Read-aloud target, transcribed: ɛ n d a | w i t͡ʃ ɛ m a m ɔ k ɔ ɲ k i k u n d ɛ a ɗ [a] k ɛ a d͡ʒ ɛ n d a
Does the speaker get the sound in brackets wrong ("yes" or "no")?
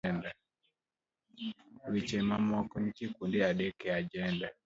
yes